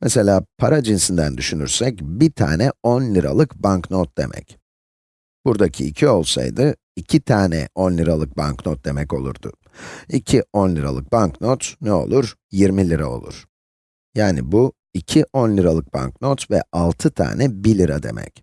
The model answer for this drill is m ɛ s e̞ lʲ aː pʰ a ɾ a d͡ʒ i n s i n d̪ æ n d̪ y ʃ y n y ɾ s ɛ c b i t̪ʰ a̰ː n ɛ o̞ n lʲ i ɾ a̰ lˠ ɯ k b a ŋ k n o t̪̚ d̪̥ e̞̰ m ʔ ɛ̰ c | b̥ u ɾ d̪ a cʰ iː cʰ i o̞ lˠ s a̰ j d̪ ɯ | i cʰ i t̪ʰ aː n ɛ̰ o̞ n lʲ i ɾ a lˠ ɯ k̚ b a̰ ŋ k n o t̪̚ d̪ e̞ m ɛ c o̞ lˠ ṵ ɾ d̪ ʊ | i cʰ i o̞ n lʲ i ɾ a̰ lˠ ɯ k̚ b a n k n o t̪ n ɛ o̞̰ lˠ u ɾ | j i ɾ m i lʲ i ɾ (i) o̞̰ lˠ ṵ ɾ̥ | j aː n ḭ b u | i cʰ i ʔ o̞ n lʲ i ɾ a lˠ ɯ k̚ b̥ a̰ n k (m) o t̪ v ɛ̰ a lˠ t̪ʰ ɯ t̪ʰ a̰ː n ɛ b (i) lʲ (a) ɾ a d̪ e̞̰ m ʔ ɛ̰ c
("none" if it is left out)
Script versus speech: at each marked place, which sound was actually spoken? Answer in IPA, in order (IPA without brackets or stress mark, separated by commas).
a, n, i, i